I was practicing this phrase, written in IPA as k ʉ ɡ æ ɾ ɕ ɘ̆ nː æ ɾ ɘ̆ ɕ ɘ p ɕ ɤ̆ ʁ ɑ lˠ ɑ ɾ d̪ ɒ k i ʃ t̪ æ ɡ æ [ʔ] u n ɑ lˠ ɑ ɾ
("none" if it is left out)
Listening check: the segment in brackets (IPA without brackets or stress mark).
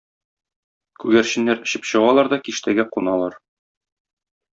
q